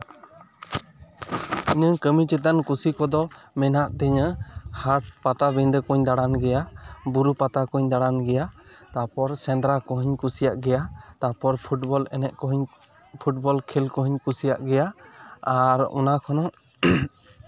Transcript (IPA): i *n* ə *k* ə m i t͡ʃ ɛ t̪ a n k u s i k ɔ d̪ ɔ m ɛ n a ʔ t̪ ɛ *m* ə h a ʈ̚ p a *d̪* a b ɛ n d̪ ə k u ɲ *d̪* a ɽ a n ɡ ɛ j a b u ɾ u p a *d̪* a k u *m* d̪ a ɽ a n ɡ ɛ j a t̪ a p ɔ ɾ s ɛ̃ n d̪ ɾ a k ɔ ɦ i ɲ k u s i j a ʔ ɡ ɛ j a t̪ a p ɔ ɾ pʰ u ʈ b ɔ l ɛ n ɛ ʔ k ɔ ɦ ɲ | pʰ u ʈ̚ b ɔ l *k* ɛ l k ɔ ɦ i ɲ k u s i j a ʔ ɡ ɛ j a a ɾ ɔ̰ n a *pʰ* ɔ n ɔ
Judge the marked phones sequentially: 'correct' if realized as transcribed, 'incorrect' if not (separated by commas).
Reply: incorrect, correct, incorrect, incorrect, correct, incorrect, incorrect, incorrect, incorrect